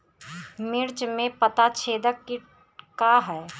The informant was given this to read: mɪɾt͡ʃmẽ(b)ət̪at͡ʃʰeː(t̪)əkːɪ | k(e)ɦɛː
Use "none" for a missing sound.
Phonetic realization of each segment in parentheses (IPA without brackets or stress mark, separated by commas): p, d̪, a